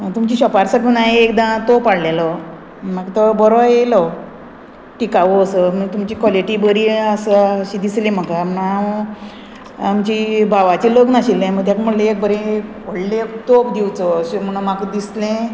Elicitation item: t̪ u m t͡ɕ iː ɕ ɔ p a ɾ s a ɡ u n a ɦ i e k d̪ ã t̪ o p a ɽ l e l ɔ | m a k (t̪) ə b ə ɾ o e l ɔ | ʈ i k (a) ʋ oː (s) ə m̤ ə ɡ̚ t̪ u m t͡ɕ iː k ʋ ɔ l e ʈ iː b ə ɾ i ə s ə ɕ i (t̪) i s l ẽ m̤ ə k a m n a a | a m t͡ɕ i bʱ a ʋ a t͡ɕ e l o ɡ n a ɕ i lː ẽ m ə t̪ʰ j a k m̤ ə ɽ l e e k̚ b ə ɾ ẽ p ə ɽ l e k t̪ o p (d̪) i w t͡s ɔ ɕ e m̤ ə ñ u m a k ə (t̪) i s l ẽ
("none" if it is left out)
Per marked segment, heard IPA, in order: t̪, a, s, d̪, d̪, d̪

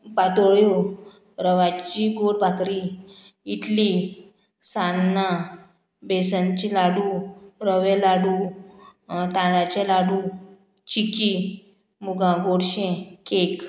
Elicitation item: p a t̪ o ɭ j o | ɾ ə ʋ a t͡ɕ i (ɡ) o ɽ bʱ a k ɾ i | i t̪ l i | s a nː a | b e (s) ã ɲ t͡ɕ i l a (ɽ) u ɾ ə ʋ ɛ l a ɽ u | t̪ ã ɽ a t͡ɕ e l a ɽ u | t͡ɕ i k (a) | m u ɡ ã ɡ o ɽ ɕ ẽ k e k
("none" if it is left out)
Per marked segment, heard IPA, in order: ɡ, s, ɽ, i

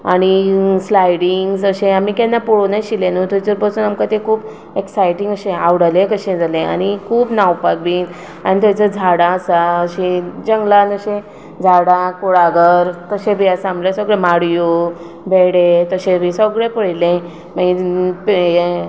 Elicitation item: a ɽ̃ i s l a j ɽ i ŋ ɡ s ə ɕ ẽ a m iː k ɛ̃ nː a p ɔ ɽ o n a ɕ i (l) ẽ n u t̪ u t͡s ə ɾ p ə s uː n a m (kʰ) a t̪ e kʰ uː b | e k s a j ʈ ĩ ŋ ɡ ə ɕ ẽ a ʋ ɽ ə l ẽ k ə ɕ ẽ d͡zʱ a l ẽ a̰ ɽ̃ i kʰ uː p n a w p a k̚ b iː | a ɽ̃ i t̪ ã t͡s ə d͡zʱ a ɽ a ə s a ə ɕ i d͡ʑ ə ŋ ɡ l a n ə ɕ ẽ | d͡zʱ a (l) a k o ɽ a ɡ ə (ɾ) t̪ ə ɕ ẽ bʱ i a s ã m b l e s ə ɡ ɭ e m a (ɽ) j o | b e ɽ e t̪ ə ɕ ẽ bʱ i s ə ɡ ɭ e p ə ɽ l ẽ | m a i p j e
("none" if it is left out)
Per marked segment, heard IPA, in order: l, k, ɽ, ɾ, ɽ

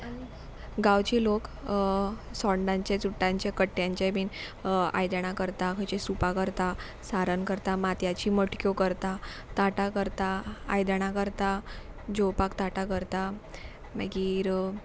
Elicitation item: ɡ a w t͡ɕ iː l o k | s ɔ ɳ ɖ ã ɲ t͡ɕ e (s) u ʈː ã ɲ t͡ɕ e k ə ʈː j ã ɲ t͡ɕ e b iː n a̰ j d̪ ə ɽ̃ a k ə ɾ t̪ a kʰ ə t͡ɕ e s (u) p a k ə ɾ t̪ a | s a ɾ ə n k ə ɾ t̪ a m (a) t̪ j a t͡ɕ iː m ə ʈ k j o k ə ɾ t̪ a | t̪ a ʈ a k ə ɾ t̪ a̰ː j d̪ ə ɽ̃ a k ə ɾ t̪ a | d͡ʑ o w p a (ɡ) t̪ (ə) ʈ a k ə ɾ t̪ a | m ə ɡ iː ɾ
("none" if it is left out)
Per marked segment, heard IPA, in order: t͡s, u, a, k, a

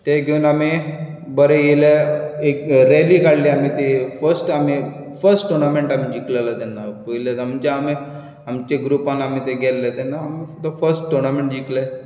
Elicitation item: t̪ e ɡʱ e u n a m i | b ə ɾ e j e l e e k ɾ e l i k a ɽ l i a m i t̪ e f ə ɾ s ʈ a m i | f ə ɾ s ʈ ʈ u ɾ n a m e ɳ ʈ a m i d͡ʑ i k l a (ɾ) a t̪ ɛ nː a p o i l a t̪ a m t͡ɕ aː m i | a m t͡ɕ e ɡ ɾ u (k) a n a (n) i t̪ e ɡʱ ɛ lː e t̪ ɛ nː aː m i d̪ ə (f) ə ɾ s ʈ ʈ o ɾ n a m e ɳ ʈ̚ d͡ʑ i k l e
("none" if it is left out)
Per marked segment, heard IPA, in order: l, p, m, f

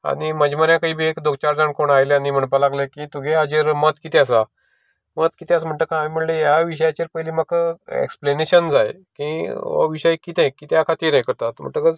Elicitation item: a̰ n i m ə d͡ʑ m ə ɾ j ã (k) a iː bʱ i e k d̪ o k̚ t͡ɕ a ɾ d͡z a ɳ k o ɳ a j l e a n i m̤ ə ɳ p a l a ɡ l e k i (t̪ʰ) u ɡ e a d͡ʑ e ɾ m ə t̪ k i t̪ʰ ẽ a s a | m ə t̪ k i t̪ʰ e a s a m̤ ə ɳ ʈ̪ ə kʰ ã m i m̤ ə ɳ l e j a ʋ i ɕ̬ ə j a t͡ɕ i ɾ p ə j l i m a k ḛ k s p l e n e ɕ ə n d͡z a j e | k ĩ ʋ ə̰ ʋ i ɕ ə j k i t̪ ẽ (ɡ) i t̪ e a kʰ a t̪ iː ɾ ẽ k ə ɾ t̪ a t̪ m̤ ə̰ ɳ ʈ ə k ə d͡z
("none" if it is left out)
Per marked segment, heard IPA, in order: k, t̪, k

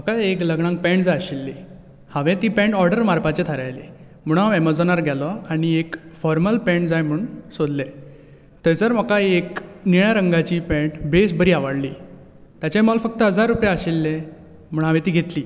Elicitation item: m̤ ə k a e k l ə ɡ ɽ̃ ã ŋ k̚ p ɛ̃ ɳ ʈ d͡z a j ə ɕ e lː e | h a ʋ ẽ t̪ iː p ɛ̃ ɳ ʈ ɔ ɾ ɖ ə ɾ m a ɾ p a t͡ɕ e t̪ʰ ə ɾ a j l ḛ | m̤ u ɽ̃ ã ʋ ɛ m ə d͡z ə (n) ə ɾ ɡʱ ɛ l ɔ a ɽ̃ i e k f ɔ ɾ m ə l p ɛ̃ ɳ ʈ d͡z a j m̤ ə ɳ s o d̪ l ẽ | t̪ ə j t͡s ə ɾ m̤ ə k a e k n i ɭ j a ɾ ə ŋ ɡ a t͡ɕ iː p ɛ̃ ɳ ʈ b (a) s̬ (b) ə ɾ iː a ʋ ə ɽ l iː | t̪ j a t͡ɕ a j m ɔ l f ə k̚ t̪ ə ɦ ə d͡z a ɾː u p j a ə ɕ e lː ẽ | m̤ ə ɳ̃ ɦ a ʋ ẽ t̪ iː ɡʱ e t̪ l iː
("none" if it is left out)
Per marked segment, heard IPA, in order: n, e, b

